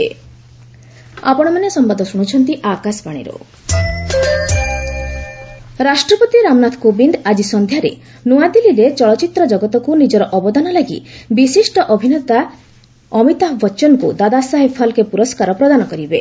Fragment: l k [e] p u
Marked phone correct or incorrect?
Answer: correct